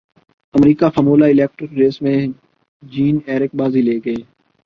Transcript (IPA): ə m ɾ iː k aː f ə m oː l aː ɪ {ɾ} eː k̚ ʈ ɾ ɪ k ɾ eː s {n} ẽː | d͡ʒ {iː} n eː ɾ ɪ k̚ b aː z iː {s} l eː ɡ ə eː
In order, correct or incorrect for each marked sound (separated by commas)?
incorrect, incorrect, correct, incorrect